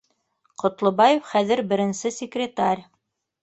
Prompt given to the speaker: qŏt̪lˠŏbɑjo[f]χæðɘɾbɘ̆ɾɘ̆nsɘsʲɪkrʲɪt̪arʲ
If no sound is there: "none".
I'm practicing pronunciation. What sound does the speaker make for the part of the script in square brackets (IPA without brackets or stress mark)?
f